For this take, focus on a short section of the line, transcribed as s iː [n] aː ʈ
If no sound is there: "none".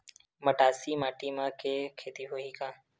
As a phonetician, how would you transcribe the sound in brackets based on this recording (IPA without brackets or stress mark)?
m